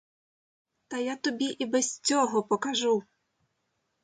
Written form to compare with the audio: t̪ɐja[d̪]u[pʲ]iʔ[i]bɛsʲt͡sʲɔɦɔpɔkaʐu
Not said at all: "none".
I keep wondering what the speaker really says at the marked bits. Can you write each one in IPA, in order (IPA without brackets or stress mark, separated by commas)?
t̪, bʲ, i